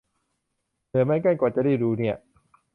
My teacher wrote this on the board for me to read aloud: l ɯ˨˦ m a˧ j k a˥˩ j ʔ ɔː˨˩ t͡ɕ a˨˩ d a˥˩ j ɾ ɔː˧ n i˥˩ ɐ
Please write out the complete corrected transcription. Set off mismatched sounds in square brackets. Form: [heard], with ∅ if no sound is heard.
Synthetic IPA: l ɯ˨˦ m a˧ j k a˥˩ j [k] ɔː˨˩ t͡ɕ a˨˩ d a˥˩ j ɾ [uː˧] n i˥˩ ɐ